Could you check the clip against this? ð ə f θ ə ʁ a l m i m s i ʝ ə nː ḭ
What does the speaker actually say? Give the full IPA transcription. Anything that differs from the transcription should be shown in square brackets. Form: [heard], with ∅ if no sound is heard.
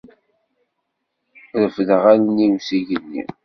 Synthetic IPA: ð ə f [ð] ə ʁ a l [n] i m s i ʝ ə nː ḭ